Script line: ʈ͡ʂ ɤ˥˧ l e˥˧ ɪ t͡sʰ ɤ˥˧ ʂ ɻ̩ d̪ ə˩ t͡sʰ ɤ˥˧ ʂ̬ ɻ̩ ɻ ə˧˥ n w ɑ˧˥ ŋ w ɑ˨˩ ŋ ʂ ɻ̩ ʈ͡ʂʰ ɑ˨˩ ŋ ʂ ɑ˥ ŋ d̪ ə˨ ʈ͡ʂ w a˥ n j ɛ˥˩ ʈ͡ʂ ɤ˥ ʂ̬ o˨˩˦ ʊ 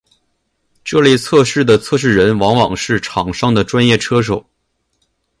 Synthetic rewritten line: ʈ͡ʂ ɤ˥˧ l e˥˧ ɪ t͡sʰ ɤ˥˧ ʂ ɻ̩ d̪ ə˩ t͡sʰ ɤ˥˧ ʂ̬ ɻ̩ ɻ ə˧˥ n w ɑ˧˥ ŋ w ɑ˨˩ ŋ ʂ ɻ̩ ʈ͡ʂʰ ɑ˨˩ ŋ ʂ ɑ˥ ŋ d̪ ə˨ ʈ͡ʂ w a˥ n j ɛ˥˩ ʈ͡ʂʰ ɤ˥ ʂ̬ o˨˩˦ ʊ